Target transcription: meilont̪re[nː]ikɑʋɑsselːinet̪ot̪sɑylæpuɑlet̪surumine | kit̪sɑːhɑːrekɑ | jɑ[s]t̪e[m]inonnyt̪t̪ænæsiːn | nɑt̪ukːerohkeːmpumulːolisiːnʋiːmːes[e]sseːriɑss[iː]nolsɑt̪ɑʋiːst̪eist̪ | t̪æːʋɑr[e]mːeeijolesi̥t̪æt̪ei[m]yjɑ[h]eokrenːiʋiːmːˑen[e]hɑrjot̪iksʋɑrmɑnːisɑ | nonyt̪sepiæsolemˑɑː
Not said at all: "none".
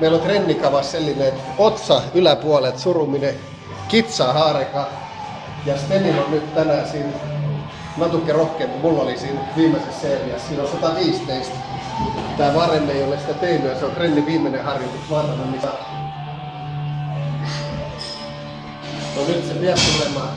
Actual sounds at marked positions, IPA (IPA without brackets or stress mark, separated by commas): nː, s, n, e, iː, e, n, s, e